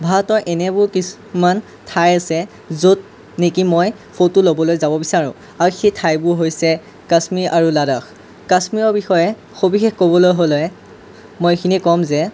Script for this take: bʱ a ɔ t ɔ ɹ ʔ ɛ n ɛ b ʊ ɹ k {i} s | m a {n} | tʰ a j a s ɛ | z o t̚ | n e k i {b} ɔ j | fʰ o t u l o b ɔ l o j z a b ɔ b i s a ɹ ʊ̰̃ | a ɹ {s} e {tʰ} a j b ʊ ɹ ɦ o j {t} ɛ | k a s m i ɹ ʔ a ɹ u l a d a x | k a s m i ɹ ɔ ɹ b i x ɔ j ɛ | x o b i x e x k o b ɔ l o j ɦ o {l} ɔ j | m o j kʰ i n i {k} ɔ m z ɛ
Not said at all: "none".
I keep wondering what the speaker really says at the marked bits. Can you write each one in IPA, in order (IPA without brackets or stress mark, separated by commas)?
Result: i, n, m, x, tʰ, s, l, k